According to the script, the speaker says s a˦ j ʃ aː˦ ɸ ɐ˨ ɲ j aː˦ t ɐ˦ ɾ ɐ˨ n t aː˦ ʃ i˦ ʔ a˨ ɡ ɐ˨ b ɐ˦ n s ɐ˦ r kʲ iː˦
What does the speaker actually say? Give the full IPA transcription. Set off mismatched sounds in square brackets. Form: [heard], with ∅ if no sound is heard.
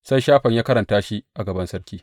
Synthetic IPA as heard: s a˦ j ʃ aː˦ ɸ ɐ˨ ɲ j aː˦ [k] ɐ˦ ɾ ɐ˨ n t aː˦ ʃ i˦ ʔ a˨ ɡ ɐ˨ b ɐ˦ n s ɐ˦ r kʲ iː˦

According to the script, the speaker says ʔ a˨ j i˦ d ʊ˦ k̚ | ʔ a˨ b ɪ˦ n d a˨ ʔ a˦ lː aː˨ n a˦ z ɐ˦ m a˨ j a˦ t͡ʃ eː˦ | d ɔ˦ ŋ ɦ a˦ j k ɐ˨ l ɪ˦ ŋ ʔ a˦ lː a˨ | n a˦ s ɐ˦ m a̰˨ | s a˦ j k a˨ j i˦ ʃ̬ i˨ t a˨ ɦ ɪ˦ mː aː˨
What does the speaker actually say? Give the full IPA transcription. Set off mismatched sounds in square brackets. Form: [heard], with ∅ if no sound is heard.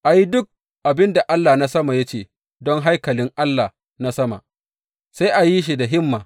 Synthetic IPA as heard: ʔ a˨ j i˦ d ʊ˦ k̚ | ʔ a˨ b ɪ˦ n d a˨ ʔ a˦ lː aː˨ n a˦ [s] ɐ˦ m a˨ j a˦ t͡ʃ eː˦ | d ɔ˦ ŋ ɦ a˦ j k ɐ˨ l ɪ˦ ŋ ʔ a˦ lː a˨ | n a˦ s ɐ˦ m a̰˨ | s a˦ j [ʔ] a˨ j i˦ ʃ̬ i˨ [d] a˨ ɦ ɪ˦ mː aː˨

